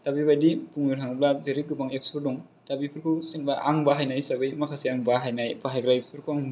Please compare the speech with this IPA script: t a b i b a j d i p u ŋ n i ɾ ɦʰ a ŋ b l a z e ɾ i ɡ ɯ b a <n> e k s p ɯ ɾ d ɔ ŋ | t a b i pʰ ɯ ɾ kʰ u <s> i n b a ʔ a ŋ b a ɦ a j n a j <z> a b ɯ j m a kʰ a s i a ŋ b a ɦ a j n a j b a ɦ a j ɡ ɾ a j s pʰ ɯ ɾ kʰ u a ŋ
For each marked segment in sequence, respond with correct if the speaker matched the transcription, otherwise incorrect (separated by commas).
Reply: incorrect, correct, incorrect